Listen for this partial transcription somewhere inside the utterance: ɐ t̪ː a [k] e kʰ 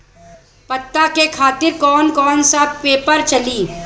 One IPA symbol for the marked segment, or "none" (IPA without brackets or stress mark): k